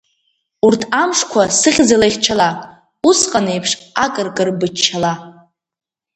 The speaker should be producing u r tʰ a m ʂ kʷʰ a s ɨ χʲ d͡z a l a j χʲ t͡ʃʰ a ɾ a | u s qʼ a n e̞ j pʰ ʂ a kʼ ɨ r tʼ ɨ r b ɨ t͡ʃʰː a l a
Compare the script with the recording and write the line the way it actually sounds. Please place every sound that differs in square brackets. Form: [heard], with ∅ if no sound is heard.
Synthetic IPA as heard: u r tʰ a m ʂ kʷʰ a s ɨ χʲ d͡z a l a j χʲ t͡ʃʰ a [l] a | u s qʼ a n e̞ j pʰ ʂ a kʼ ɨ r [kʼ] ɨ r b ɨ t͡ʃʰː a l a